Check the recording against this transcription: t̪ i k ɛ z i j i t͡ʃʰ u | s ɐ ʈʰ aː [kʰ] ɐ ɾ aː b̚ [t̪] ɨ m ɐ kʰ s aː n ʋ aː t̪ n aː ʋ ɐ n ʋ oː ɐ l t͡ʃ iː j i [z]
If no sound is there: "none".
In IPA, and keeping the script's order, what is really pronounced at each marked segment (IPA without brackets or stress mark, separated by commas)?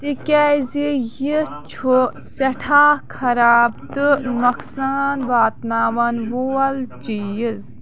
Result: kʰ, t̪, z